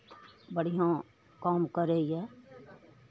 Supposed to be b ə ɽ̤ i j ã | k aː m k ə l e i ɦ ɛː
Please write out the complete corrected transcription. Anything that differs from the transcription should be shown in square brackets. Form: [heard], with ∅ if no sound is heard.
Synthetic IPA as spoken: b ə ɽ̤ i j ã | k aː m k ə [ɾ] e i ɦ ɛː